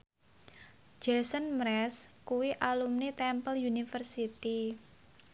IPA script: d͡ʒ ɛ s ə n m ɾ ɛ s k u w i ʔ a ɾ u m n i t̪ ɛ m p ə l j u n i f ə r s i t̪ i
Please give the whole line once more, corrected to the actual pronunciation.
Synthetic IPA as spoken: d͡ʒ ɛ s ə n m ɾ ɛ s k u w i ʔ a l u m n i t̪ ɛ m p ə l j u n i f ə r s i t̪ i